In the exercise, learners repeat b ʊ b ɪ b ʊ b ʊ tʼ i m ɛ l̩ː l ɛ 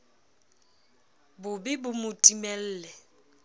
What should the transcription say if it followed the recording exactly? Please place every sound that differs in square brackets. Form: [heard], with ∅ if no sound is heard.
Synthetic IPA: b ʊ b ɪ b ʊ [m] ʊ tʼ i m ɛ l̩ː l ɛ